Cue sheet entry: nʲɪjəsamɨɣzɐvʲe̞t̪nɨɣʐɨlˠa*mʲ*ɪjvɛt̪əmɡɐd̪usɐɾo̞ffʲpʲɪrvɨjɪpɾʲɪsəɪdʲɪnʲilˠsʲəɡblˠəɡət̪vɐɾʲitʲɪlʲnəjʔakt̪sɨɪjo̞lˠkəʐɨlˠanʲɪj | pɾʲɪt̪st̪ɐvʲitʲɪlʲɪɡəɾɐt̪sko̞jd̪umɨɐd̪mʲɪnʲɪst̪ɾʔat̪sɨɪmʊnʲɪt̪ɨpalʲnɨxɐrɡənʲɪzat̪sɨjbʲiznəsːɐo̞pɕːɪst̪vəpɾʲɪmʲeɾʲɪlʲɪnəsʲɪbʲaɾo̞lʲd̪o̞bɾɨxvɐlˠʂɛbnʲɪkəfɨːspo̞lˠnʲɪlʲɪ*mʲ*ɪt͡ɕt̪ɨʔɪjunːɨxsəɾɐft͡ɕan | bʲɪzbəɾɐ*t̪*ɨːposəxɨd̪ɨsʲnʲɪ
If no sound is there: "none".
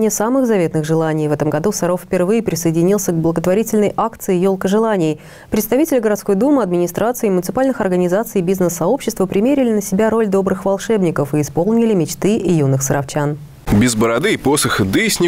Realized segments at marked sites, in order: nʲ, mʲ, d̪

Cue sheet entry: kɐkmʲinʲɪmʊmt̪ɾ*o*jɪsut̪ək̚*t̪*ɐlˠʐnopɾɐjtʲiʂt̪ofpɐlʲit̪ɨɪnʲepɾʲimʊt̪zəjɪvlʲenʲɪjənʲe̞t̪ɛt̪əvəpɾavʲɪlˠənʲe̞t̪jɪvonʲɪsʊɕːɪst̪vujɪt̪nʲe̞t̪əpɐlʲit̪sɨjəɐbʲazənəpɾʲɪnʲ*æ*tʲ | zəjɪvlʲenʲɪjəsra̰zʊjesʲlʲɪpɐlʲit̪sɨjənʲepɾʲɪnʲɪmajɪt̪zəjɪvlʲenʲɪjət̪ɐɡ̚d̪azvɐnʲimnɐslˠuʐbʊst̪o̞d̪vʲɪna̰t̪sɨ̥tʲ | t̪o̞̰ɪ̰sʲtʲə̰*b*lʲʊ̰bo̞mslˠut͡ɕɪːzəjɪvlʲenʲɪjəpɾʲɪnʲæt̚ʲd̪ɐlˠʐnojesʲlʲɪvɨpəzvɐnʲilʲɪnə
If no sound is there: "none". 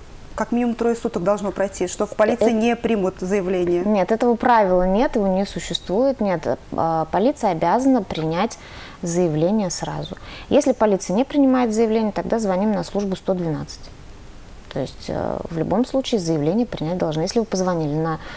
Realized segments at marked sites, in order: o, d̪, æ, v

